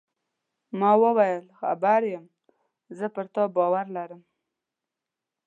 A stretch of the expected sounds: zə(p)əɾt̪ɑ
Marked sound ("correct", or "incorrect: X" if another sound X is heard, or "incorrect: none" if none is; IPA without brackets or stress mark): correct